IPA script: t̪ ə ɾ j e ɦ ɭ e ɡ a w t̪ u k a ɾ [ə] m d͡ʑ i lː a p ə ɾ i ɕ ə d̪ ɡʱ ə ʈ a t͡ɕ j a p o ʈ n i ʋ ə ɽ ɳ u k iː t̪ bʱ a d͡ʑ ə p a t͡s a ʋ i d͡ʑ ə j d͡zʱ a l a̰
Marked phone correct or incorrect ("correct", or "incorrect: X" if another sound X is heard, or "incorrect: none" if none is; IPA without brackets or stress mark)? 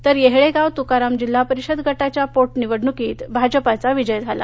incorrect: a